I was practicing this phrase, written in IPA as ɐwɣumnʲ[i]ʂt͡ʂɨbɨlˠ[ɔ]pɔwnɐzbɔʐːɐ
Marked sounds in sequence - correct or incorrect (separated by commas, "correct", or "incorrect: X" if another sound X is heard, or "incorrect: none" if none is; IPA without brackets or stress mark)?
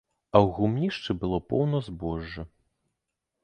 correct, correct